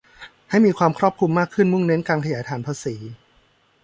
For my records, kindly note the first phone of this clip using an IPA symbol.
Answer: h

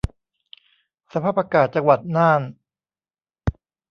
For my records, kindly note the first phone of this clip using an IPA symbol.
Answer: s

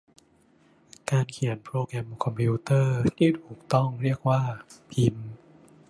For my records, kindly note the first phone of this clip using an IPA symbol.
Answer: k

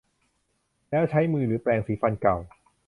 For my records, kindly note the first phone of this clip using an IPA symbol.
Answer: l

